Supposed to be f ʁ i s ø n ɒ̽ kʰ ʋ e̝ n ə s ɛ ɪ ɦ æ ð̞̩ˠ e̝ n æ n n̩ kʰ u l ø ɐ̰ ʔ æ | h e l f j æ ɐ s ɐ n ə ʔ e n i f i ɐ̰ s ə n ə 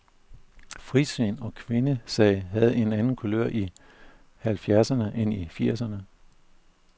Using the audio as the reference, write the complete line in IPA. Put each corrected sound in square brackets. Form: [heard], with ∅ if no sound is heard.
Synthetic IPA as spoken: f ʁ i s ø n ɒ̽ kʰ ʋ e̝ n ə s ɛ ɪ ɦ æ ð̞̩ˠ e̝ n æ n n̩ kʰ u l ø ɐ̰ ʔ [i] | h [æ] l f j æ ɐ s ɐ n ə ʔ e n i f i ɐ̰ s [ɐ] n ə